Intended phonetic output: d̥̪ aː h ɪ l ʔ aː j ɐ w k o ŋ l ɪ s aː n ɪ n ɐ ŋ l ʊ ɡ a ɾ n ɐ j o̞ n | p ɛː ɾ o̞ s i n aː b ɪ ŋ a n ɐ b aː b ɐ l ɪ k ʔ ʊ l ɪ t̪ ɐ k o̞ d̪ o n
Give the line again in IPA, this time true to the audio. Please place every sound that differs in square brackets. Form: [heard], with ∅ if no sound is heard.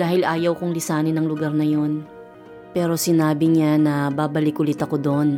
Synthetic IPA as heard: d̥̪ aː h ɪ l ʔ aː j ɐ w k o ŋ l ɪ s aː n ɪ n ɐ ŋ l ʊ ɡ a ɾ n ɐ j o̞ n | p ɛː ɾ o̞ s [ɪ] n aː b ɪ [ɲ] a n ɐ b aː b ɐ l ɪ k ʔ ʊ l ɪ t̪ ɐ k o̞ d̪ o n